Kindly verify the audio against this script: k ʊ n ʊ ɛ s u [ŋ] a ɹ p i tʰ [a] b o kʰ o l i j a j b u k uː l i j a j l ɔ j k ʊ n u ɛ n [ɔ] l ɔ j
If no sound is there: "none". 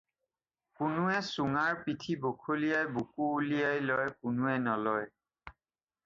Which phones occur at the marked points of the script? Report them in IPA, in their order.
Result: ŋ, i, ɔ

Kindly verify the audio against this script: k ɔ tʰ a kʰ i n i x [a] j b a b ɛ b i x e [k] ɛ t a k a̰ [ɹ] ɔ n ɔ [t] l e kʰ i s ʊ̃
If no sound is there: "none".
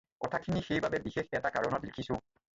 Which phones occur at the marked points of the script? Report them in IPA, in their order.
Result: e, x, ɹ, t

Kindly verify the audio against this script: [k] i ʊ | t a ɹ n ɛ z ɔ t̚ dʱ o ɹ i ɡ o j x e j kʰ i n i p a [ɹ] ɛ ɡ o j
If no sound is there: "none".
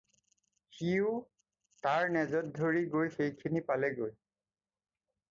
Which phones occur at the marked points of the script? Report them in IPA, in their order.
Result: x, l

